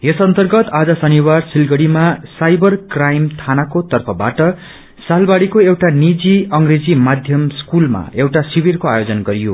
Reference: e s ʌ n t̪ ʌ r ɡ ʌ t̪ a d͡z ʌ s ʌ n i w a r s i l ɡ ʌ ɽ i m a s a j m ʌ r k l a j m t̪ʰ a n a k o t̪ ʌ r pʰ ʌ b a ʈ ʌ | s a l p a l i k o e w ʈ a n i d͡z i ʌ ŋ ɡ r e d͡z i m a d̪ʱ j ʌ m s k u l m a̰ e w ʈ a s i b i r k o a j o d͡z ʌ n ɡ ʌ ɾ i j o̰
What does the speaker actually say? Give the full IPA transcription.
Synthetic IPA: e s ʌ n t̪ ʌ r ɡ ʌ t̪ a d͡z ʌ s ʌ n i w a r s i l ɡ ʌ ɽ i m a s a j b ʌ r k r a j m t̪ʰ a n a k o t̪ ʌ r pʰ ʌ b a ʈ ʌ | s a l b a ɽ i k o e w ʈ a n i d͡z i ʌ ŋ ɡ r e d͡z i m a d̪ʱ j ʌ m s k u l m a̰ e w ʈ a s i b i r k o a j o d͡z ʌ n ɡ ʌ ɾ i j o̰

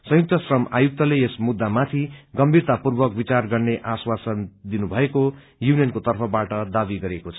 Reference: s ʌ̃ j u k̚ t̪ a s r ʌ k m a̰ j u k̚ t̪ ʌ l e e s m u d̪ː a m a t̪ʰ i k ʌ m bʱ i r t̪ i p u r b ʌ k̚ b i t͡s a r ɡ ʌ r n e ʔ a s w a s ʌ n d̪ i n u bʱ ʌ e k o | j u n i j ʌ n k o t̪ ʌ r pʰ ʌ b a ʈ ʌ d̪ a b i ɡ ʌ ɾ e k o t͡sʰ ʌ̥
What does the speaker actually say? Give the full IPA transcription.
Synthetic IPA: s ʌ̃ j u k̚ t̪ ʌ s r ʌ m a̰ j u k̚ t̪ ʌ l e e s m u d̪ː a m a t̪ʰ i ɡ ʌ m bʱ i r t̪ a p u r b ʌ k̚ b i t͡s a r ɡ ʌ r n e ʔ a s w a s ʌ n d̪ i n u bʱ ʌ e k o | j u n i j ʌ n k o t̪ ʌ r pʰ ʌ b a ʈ ʌ d̪ a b i ɡ ʌ ɾ e k o t͡sʰ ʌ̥

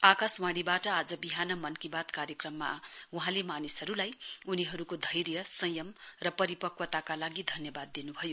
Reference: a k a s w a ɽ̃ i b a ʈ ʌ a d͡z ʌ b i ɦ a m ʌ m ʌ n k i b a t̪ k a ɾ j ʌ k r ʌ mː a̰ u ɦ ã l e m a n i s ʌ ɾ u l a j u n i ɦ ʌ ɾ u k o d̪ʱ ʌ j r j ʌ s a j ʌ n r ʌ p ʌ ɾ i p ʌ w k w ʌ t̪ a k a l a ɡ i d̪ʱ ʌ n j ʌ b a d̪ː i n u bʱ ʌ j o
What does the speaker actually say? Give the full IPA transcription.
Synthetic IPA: a k a s w a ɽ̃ i b a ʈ ʌ a d͡z ʌ b i ɦ a n ʌ m ʌ n k i b a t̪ k a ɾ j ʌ k r ʌ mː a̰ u ɦ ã l e m a n i s ʌ ɾ u l a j u n i ɦ ʌ ɾ u k o d̪ʱ ʌ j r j ʌ s ʌ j ʌ m r ʌ p ʌ ɾ i p ʌ k w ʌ t̪ a k a l a ɡ i d̪ʱ ʌ n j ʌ b a d̪ː i n u bʱ ʌ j o

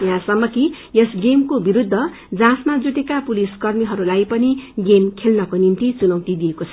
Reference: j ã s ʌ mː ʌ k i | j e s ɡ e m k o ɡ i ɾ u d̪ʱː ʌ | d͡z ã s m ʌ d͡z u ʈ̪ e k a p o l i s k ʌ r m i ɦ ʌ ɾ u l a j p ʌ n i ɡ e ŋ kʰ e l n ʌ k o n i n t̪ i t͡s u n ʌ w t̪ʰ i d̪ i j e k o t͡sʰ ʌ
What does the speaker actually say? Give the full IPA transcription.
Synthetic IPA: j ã s ʌ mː ʌ k i | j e s ɡ e m k o b i ɾ u d̪ʱː ʌ | d͡z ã s m a d͡z u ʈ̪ e k a p u l i s k ʌ r m i ɦ ʌ ɾ u l a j p ʌ n i ɡ e m kʰ e l n ʌ k o n i n t̪ i t͡s u n ʌ w t̪ i d̪ i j e k o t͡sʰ ʌ

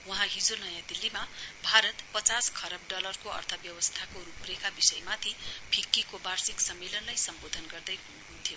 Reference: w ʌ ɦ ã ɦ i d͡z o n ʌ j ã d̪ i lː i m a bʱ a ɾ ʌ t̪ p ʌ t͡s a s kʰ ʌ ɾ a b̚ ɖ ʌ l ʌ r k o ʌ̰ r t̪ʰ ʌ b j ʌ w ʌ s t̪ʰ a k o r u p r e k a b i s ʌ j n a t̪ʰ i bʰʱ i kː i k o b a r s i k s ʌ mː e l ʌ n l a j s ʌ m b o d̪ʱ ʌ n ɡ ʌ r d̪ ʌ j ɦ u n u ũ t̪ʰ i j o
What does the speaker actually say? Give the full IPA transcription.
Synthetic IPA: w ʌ ɦ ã ɦ i d͡z o n ʌ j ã d̪ i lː i m a bʱ a ɾ ʌ t̪ p ʌ t͡s a s kʰ ʌ ɾ ʌ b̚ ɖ ʌ l ʌ r k o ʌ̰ r t̪ʰ ʌ b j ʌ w ʌ s t̪ʰ a k o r u p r e k a b i s ʌ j m a t̪ʰ i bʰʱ i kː i k o b a r s i k s ʌ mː e l ʌ n l a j s ʌ m b o d̪ʱ ʌ n ɡ ʌ r d̪ ʌ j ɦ u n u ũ t̪ʰ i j o

